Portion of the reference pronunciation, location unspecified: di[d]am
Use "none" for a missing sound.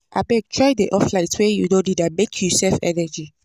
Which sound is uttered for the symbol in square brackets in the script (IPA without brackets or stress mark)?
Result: d